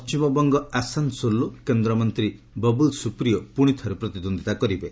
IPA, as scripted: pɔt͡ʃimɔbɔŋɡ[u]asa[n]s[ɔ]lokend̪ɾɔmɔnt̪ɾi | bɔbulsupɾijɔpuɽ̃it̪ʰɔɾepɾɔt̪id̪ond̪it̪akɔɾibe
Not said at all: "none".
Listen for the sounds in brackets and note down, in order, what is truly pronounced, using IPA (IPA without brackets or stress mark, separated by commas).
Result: ɔ, n, o